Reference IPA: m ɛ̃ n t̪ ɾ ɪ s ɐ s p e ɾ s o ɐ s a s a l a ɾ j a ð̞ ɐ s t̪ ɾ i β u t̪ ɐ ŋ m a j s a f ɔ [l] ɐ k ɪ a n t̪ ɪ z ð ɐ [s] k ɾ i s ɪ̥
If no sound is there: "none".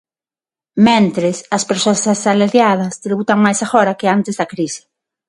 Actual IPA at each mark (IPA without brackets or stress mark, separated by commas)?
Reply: ɾ, none